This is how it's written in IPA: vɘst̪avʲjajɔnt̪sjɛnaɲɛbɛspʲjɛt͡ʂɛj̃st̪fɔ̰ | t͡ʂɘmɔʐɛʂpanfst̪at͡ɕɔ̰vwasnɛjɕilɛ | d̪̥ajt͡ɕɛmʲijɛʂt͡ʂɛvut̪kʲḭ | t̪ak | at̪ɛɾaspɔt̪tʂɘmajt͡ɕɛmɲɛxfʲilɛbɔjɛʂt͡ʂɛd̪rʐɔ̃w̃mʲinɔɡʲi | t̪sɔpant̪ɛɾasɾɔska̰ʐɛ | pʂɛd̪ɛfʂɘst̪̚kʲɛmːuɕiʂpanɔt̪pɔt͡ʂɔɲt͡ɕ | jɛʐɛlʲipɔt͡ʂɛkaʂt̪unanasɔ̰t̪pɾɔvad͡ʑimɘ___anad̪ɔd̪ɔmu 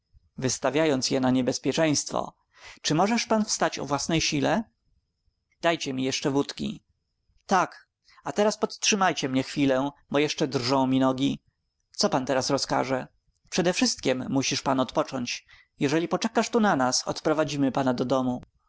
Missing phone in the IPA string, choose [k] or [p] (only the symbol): p